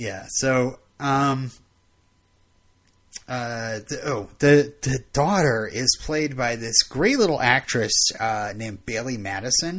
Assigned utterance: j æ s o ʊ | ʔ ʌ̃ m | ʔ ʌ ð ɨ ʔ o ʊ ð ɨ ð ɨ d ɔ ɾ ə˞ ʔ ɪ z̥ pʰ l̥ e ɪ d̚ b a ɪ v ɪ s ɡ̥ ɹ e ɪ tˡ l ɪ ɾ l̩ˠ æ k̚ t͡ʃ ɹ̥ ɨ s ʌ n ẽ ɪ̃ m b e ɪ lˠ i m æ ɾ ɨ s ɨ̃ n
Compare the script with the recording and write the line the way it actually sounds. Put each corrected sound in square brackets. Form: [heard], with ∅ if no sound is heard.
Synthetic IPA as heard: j æ s o ʊ | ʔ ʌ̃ m | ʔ ʌ ð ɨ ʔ o ʊ ð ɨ ð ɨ d ɔ ɾ ə˞ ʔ ɪ z̥ pʰ l̥ e ɪ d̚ b a ɪ [ð] ɪ s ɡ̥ ɹ e ɪ tˡ l ɪ ɾ l̩ˠ æ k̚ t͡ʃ ɹ̥ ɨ s ʌ n ẽ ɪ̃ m b e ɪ lˠ i m æ ɾ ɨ s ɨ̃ n